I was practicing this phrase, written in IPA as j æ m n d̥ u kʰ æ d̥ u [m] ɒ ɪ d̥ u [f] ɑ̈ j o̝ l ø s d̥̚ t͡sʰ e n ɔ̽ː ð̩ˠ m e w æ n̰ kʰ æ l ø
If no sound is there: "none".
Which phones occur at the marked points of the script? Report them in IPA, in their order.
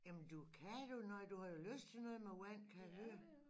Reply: n, h

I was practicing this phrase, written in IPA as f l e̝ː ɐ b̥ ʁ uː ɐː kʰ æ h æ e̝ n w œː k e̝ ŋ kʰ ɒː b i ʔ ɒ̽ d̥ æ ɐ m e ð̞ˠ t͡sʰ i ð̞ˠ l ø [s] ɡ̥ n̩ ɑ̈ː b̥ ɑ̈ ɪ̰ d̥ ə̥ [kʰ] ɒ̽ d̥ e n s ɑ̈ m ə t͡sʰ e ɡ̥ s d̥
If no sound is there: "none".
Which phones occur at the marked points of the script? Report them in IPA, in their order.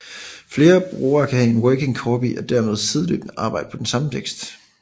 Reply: none, pʰ

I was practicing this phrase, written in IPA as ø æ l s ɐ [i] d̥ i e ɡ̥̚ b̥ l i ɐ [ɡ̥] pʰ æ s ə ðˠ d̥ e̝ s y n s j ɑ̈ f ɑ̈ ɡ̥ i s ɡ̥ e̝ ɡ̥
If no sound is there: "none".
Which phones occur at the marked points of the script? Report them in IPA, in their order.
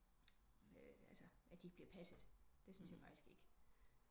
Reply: æ, none

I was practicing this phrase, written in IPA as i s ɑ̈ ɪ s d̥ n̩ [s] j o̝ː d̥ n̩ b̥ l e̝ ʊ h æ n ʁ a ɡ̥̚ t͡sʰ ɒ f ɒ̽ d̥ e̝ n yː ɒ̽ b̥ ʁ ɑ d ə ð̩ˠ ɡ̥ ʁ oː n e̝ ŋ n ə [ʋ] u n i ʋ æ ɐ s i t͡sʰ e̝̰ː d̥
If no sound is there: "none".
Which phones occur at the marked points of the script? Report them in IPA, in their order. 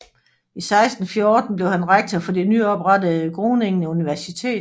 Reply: f, none

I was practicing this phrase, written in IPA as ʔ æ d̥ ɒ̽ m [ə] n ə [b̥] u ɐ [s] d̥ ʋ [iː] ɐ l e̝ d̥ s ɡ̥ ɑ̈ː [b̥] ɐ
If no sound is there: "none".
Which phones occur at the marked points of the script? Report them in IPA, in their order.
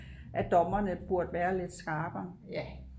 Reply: ɐ, b̥, none, æː, b̥

